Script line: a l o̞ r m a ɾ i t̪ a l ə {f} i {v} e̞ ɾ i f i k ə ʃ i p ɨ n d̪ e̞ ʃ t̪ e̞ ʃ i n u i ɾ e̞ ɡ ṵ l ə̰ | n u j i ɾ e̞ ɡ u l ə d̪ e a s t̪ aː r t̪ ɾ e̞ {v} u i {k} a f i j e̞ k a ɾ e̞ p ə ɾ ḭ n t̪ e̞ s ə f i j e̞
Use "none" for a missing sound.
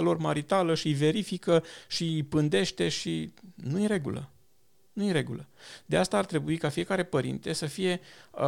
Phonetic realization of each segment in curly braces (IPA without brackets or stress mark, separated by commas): ʃ, v, b, k